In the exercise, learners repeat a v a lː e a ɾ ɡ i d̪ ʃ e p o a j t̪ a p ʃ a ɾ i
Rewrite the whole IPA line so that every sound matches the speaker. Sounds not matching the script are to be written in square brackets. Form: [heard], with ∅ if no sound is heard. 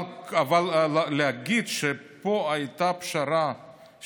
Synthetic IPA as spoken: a v a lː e a [∅] ɡ i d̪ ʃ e p o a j t̪ a p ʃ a ɾ [a]